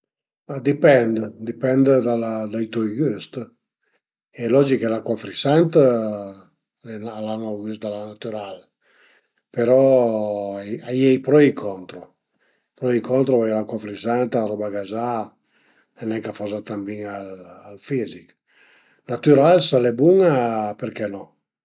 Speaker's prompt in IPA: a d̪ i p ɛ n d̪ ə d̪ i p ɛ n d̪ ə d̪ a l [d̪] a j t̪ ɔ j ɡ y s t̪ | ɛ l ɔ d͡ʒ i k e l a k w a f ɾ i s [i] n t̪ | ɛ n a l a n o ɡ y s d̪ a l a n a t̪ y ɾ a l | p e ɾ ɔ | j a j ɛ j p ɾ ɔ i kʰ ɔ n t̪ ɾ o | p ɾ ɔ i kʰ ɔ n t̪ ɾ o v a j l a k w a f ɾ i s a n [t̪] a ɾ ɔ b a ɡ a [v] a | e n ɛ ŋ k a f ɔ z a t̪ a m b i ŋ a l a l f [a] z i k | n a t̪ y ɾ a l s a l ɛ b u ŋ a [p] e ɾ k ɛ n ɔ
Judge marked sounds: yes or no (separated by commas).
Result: yes, no, yes, no, no, yes